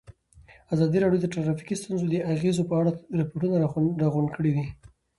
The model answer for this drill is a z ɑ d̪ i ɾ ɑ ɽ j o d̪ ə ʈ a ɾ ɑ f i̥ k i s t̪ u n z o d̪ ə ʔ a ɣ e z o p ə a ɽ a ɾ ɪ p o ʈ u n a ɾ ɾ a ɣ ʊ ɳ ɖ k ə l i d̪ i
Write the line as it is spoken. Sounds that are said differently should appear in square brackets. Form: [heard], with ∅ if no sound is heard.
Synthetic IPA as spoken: a z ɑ d̪ i ɾ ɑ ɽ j o d̪ ə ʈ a ɾ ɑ f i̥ k i s t̪ u n z o d̪ ə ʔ a ɣ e z o p ə a ɽ a ɾ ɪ p o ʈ u n a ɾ ɾ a ɣ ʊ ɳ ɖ k ə [ɽ] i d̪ i